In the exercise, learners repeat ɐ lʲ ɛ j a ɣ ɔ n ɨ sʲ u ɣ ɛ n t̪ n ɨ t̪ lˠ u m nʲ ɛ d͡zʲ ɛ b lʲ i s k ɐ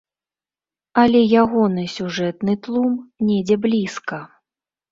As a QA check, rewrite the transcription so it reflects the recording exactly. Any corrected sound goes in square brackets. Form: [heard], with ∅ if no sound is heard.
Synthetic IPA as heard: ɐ lʲ ɛ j a ɣ ɔ n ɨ sʲ u [ʐ] ɛ [∅] t̪ n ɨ t̪ lˠ u m nʲ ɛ d͡zʲ ɛ b lʲ i s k ɐ